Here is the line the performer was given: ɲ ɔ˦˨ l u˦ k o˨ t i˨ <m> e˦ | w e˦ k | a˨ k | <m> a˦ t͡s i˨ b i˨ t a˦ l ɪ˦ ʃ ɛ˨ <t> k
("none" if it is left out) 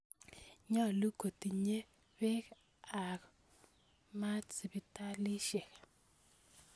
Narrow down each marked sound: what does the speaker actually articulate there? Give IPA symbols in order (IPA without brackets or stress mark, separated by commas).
ɲ, m, none